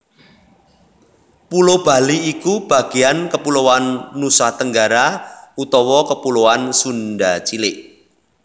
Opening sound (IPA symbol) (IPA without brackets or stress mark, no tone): p